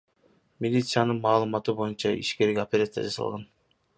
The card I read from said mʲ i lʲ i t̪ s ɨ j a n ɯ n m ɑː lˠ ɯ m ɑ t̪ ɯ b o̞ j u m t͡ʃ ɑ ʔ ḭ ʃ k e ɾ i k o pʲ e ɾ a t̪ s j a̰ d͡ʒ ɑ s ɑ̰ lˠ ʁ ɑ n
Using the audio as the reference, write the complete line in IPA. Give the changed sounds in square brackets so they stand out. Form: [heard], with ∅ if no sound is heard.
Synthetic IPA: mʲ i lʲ i t̪ s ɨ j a n ɯ n m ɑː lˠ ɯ m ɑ t̪ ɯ b o̞ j u [n] t͡ʃ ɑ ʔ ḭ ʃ k e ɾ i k o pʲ e ɾ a t̪ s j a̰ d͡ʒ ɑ s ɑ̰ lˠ ʁ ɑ n

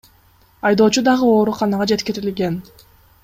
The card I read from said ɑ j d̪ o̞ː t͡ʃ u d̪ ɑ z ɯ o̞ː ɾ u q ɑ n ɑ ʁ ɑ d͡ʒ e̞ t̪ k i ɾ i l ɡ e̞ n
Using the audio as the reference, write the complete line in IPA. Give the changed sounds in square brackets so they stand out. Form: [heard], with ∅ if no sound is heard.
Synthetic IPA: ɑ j d̪ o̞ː t͡ʃ u d̪ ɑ [ʁ] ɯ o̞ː ɾ u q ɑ n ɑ ʁ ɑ d͡ʒ e̞ t̪ k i ɾ i l ɡ e̞ n

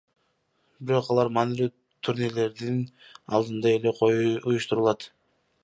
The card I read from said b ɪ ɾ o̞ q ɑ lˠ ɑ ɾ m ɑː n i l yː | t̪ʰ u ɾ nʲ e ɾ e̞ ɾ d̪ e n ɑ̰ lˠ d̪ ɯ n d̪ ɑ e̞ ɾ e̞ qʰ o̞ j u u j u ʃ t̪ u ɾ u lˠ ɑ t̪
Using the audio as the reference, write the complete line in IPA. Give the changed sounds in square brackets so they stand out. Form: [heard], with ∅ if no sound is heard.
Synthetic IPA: b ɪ ɾ o̞ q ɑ lˠ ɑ ɾ m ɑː n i l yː | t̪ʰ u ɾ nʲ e [l] e̞ ɾ d̪ [i] n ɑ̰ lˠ d̪ ɯ n d̪ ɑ e̞ [l] e̞ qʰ o̞ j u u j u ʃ t̪ u ɾ u lˠ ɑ t̪

